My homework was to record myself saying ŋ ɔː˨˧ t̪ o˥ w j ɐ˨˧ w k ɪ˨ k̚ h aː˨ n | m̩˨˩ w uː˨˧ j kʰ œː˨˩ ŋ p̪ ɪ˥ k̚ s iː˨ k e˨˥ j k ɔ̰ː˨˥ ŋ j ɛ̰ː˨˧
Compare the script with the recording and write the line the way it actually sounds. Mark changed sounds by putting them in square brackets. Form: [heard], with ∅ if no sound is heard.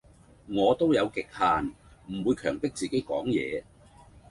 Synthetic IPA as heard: ŋ ɔː˨˧ t̪ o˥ w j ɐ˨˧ w k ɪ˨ k̚ h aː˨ n | m̩˨˩ w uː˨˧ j kʰ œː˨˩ ŋ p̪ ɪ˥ k̚ [t͡s] iː˨ k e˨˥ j k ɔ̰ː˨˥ ŋ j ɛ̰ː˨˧